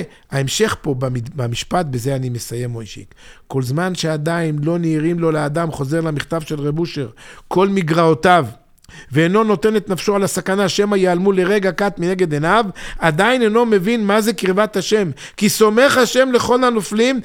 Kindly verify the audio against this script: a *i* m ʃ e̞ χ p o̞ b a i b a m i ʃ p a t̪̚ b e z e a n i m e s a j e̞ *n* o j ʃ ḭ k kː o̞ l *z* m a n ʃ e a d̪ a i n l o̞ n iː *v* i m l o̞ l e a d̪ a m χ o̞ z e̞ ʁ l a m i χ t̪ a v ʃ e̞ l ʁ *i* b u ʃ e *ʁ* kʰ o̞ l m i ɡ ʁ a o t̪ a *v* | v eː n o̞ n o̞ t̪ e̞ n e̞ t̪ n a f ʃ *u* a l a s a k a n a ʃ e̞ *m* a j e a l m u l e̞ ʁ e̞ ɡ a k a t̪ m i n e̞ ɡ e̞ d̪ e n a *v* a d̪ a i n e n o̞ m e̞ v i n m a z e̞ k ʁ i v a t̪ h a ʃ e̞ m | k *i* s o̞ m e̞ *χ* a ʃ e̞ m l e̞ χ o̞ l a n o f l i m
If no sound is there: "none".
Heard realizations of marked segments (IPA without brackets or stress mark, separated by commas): e, m, z, ʁ, e, ʁ, v, o, m, v, i, χ